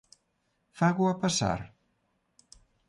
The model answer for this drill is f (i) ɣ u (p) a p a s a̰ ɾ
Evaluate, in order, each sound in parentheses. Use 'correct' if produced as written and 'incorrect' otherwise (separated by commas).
incorrect, incorrect